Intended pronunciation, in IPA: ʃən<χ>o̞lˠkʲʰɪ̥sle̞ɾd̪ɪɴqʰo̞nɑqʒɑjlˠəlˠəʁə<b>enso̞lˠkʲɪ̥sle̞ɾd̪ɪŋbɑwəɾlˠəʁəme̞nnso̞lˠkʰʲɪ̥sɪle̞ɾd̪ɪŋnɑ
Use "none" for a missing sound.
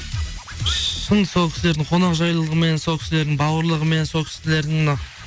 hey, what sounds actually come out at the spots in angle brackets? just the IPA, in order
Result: s, m

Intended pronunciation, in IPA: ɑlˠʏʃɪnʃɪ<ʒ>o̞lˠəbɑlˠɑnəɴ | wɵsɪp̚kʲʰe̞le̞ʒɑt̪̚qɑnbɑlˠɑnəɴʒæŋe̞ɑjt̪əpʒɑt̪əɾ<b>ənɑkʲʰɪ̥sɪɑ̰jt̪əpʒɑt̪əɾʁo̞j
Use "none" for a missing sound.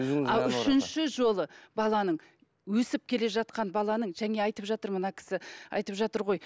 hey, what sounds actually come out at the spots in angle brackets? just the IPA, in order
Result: ʒ, m

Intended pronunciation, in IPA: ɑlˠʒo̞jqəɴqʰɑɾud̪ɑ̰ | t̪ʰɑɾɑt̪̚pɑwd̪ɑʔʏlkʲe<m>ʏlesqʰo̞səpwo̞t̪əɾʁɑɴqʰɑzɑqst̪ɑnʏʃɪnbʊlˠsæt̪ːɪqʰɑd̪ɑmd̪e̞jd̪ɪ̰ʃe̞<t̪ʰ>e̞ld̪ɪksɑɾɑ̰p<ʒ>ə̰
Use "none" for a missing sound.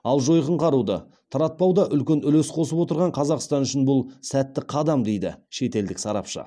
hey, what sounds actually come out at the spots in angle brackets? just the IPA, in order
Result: n, t̪, ʃ

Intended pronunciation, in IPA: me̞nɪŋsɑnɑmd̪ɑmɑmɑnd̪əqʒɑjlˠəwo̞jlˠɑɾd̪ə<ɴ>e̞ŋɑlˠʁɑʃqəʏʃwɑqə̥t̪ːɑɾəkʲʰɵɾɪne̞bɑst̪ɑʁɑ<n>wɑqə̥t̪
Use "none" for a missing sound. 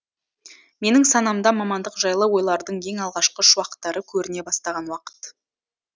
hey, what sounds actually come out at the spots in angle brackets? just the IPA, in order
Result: ɴ, n

